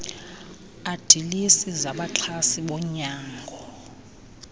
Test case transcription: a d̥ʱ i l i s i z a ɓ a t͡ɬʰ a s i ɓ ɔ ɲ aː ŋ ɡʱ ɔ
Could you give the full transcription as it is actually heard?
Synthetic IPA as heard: a d̥ʱ i l i s i z a ɓ a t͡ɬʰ a s i ɓ ɔ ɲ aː ŋ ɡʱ ɔ